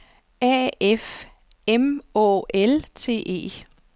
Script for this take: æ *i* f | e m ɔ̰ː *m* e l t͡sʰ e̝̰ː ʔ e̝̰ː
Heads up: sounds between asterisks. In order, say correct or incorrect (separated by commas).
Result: incorrect, incorrect